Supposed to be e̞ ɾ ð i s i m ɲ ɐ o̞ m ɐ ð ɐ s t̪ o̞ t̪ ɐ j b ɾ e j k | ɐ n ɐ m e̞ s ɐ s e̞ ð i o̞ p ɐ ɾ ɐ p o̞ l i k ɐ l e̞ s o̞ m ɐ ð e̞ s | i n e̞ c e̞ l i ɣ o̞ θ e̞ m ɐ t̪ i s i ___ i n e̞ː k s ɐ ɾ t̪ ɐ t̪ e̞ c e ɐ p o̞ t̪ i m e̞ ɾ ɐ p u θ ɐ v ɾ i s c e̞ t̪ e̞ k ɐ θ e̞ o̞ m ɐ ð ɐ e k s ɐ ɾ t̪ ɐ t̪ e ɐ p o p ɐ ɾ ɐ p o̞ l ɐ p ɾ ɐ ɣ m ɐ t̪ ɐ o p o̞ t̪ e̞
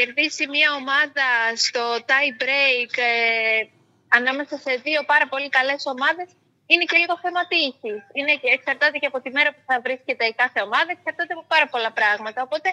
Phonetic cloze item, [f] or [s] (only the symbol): s